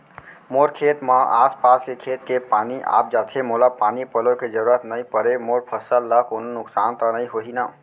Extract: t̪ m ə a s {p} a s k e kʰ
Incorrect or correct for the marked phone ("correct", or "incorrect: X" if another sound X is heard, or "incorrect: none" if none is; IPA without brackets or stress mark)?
correct